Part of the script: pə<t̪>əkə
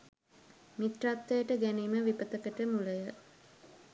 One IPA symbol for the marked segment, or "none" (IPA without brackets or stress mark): t̪